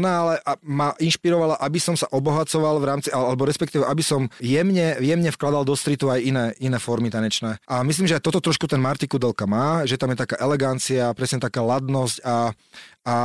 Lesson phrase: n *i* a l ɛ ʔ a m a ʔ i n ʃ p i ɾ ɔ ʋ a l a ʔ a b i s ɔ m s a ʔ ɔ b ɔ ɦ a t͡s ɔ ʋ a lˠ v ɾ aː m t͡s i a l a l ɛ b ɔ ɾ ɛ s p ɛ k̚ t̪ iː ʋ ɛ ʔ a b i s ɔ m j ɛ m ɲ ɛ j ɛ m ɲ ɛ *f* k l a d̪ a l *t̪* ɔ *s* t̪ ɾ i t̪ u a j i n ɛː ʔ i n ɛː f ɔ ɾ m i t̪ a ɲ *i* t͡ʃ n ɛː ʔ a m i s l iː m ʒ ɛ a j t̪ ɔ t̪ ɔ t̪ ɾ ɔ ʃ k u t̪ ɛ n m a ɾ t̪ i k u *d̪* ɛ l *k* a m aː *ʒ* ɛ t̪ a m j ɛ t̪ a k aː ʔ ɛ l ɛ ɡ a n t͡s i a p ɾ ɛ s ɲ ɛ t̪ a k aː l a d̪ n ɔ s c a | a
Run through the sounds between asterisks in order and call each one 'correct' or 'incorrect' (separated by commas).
incorrect, correct, incorrect, correct, incorrect, correct, correct, correct